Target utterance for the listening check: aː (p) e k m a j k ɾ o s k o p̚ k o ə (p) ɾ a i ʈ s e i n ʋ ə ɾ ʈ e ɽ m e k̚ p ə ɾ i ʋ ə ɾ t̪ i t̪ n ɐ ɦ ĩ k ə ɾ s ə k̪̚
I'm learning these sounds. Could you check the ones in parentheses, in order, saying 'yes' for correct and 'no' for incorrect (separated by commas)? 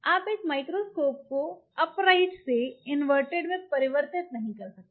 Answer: yes, yes